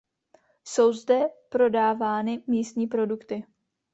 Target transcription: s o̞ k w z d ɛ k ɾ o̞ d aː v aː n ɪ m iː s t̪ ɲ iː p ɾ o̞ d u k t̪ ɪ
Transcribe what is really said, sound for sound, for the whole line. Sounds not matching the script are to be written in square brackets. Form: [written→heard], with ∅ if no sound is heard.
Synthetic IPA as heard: s o̞ [k→∅] w z d ɛ [k→p] ɾ o̞ d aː v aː n ɪ m iː s t̪ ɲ iː p ɾ o̞ d u k t̪ ɪ